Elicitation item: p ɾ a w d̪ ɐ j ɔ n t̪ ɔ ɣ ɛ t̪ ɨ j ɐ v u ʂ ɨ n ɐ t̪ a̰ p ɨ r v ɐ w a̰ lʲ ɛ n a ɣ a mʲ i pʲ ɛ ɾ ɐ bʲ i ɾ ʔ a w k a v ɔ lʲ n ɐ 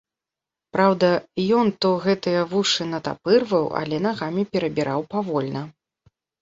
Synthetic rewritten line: p ɾ a w d̪ ɐ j ɔ n t̪ ɔ ɣ ɛ t̪ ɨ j ɐ v u ʂ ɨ n ɐ t̪ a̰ p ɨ r v ɐ w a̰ lʲ ɛ n a ɣ a mʲ i pʲ ɛ ɾ ɐ bʲ i ɾ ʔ a w p a v ɔ lʲ n ɐ